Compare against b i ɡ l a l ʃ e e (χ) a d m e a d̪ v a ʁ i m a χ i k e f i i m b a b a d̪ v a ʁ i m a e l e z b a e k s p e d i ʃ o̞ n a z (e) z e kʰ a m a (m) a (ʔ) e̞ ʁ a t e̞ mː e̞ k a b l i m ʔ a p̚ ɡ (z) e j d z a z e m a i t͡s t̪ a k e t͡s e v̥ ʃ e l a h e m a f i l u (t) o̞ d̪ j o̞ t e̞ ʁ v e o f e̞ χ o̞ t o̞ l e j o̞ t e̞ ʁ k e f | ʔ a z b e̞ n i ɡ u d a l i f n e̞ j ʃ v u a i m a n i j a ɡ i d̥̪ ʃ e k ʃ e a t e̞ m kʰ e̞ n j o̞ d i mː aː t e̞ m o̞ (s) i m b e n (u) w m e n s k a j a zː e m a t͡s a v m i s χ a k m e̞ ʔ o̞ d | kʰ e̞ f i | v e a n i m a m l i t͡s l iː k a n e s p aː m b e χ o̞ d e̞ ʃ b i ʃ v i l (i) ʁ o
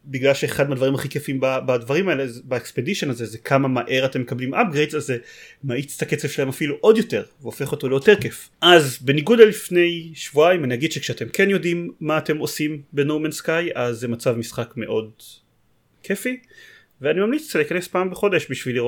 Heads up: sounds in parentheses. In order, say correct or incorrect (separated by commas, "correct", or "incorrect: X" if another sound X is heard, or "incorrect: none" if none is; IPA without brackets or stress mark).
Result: correct, correct, correct, correct, incorrect: ʁ, incorrect: ʔ, correct, incorrect: o, correct